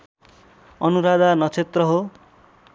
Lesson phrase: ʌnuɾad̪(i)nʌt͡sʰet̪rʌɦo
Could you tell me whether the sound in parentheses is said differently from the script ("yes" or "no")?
yes